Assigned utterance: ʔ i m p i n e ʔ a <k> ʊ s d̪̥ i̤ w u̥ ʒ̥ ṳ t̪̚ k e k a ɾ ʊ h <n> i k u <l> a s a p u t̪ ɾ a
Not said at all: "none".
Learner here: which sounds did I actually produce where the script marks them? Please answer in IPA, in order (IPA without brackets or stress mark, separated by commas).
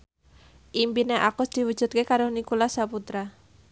k, n, l